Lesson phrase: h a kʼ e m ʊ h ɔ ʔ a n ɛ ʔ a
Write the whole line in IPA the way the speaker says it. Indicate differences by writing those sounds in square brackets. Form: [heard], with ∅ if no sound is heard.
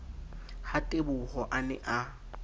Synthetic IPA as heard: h a [tʼ] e [b] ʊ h ɔ ʔ a n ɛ ʔ a